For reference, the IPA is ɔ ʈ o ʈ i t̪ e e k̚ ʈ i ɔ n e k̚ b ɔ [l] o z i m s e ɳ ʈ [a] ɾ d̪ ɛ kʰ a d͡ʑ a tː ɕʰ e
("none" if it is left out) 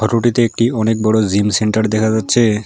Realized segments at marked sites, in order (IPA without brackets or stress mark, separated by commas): ɽ, a